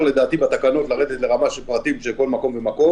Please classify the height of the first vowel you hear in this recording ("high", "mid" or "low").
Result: mid